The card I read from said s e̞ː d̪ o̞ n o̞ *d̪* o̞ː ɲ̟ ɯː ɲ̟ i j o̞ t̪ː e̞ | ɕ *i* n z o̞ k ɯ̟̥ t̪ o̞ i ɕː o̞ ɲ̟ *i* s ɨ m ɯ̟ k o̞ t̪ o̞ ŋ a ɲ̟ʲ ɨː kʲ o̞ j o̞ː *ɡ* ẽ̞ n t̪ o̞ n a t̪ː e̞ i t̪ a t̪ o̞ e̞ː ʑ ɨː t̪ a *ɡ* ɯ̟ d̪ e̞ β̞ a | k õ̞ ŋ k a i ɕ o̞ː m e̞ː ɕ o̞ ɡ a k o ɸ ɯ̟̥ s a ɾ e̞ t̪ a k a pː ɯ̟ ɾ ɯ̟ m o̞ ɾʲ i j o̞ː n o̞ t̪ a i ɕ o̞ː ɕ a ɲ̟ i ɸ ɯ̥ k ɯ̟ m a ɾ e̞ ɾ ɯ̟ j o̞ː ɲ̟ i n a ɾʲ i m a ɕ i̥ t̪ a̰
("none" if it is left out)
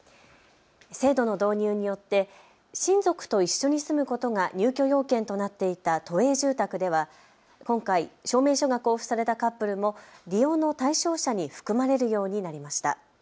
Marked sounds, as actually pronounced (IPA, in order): d̪, ĩ, i, k, k

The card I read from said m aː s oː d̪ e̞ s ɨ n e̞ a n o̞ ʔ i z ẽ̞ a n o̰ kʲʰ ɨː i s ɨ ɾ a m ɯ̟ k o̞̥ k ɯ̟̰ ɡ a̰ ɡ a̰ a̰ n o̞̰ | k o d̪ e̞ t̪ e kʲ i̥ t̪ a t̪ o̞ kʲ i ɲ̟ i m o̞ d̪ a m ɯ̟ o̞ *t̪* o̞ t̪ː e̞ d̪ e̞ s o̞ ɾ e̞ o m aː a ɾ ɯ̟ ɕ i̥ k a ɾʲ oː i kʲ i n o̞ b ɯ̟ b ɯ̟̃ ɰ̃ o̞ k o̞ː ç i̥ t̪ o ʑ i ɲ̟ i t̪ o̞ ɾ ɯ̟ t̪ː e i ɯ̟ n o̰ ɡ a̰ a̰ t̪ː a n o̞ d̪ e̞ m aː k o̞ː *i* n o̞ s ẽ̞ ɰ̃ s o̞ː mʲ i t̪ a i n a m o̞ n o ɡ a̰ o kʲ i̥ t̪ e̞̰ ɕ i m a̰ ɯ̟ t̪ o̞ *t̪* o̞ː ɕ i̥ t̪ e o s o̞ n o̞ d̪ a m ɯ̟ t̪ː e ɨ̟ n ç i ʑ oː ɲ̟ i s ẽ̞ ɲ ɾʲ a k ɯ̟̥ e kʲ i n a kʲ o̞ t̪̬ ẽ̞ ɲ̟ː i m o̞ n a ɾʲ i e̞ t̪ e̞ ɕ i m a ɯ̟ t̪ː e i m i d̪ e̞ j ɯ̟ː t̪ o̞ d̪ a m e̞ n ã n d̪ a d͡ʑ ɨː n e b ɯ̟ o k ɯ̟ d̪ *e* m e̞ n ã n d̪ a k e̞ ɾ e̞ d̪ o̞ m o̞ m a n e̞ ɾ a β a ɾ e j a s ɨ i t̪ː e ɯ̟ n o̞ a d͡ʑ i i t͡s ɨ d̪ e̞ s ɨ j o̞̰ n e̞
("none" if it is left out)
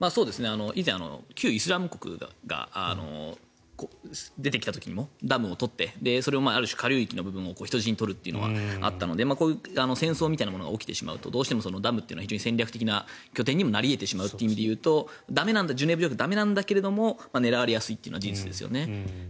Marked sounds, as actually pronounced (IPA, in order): t̪, a, d̪, a

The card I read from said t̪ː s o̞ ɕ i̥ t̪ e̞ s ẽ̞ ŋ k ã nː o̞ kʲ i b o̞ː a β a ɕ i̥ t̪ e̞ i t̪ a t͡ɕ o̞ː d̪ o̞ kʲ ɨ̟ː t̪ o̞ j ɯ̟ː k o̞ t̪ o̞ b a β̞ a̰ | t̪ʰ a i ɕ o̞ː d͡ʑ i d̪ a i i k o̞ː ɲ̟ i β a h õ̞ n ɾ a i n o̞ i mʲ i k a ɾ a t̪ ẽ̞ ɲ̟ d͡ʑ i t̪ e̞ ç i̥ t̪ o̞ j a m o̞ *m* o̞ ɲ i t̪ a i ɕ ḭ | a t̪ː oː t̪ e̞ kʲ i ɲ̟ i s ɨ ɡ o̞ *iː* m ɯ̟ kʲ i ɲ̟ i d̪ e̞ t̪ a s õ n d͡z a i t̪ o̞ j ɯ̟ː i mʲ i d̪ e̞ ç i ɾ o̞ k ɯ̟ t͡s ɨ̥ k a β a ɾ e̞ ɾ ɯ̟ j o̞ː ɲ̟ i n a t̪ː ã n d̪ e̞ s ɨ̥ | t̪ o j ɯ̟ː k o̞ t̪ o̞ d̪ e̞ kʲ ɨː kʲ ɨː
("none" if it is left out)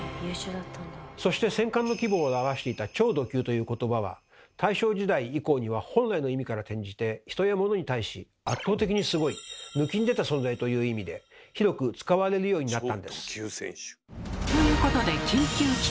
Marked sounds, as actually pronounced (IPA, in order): n, i

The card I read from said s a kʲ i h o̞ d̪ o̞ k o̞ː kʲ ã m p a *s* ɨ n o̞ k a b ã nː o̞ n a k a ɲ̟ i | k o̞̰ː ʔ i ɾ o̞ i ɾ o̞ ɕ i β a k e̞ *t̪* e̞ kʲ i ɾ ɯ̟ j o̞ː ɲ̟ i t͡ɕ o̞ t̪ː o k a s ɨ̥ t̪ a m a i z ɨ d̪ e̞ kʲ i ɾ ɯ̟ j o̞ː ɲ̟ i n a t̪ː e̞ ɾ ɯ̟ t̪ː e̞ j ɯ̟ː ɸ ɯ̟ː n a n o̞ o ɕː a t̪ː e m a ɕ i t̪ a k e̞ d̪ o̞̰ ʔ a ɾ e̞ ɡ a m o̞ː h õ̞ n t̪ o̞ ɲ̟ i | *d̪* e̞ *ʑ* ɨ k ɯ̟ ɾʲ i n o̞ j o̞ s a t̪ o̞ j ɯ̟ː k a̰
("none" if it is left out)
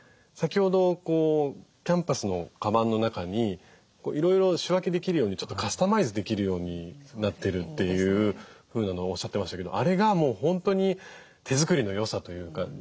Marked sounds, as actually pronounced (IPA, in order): s, d̪, t̪, z

